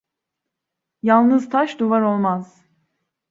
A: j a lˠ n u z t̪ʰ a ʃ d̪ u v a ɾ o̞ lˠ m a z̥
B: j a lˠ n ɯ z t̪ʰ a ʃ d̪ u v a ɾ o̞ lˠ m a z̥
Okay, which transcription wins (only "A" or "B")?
B